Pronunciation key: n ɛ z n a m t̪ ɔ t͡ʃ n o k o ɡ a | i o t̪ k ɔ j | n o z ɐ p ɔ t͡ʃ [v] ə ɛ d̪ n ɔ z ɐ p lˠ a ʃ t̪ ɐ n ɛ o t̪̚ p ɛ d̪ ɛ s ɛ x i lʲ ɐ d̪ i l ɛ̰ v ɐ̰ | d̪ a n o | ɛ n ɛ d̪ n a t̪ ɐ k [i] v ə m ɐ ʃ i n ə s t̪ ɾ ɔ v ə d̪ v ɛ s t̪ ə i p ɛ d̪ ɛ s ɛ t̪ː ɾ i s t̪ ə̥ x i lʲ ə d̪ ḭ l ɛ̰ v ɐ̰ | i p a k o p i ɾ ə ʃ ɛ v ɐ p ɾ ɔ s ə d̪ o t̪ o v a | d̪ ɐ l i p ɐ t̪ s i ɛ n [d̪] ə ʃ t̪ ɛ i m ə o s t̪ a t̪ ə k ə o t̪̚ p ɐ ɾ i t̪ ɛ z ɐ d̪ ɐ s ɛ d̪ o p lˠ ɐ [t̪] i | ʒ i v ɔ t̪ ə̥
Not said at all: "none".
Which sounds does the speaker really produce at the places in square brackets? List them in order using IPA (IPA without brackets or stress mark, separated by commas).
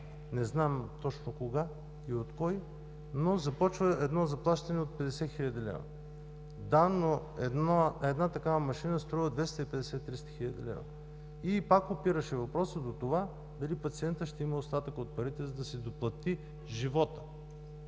v, a, t̪, t̪